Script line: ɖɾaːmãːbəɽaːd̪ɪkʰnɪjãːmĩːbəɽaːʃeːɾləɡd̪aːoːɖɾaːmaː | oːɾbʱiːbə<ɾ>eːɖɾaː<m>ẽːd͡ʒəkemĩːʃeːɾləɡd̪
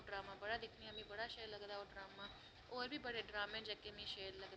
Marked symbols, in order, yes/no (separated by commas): no, yes